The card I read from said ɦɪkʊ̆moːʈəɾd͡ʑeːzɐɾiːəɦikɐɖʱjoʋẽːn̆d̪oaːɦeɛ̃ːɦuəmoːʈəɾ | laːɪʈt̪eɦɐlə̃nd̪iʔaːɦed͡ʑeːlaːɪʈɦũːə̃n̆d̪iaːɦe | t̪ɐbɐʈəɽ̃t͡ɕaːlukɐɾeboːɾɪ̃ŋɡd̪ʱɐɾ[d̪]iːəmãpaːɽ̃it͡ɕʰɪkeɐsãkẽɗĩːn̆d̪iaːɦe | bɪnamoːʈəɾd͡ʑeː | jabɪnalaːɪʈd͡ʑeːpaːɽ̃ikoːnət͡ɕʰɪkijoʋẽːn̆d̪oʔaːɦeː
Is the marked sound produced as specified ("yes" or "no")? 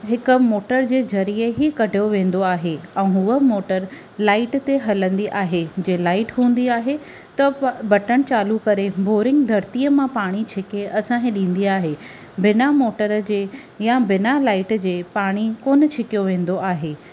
no